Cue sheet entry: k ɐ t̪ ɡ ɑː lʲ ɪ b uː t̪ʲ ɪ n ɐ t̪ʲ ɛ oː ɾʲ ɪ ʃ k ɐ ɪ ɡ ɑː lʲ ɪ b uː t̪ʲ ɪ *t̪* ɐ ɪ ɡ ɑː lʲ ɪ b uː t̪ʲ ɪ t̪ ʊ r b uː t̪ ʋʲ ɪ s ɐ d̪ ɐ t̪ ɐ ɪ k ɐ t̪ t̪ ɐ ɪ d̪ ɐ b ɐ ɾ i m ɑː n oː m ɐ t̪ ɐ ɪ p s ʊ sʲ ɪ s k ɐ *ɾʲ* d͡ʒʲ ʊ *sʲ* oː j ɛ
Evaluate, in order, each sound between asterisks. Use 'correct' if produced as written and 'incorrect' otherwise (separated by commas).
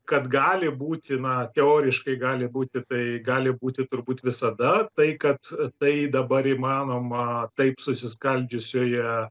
correct, incorrect, correct